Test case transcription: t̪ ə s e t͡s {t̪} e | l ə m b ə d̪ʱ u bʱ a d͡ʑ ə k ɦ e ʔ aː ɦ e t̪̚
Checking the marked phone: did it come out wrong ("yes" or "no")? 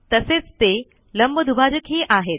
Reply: no